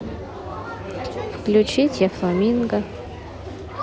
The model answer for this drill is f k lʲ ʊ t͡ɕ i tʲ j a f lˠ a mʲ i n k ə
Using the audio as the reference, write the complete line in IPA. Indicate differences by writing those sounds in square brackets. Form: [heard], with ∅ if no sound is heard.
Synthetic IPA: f k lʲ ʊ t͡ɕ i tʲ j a f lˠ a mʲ i n [ɡ] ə